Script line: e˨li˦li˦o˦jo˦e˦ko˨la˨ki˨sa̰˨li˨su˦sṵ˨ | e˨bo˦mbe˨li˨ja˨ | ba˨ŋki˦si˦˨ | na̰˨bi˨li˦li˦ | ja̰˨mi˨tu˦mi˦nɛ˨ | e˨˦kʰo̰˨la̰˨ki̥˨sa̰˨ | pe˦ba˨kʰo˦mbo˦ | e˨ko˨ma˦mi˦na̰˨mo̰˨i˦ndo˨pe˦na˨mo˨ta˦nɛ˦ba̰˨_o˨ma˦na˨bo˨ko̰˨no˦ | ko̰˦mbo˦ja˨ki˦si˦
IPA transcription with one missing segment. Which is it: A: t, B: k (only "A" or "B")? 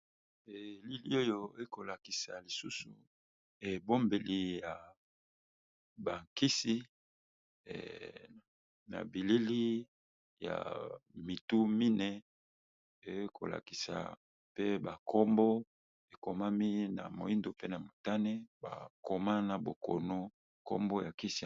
B